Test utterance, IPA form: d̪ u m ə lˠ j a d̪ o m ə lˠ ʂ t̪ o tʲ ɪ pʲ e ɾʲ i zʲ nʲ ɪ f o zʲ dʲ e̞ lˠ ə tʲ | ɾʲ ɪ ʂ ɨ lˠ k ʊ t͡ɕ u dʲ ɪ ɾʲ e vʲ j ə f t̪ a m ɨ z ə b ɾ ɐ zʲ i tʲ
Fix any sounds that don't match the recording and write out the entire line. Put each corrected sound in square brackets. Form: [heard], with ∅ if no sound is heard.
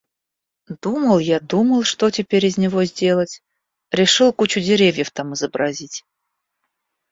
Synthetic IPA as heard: d̪ u m ə lˠ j a d̪ [u] m ə lˠ ʂ t̪ o tʲ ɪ pʲ e ɾʲ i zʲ nʲ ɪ [v] o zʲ dʲ e̞ lˠ ə tʲ | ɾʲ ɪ ʂ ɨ lˠ k [u] t͡ɕ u dʲ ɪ ɾʲ e vʲ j ə f t̪ a m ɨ z ə b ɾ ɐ zʲ i tʲ